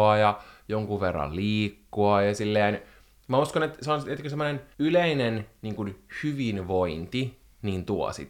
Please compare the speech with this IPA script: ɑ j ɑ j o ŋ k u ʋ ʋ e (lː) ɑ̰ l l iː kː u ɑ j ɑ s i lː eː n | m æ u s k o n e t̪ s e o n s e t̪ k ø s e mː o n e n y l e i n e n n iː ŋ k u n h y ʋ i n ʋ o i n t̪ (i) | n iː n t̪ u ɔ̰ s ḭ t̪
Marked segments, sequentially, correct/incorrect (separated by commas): incorrect, correct